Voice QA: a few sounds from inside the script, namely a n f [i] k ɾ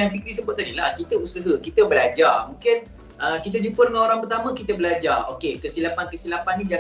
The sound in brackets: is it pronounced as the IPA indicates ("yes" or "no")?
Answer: yes